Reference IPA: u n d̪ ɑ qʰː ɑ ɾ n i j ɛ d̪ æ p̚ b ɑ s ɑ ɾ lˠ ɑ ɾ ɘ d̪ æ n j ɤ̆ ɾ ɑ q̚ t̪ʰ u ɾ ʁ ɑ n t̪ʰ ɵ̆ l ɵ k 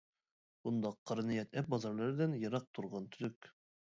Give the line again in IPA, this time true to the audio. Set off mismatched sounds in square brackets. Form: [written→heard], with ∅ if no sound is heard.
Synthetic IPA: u n d̪ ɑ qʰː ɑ ɾ n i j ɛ [d̪→t̪] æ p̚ b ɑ [s→z] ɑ ɾ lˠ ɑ ɾ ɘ d̪ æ n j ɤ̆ ɾ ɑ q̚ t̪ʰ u ɾ ʁ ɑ n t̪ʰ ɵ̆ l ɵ k